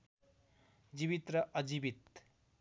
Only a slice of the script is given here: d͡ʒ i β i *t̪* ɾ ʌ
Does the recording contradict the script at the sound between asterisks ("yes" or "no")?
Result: no